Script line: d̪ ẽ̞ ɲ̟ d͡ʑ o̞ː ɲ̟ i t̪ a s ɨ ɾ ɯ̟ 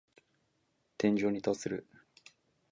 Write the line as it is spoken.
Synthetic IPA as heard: t̪ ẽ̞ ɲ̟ d͡ʑ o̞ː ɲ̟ i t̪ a s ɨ ɾ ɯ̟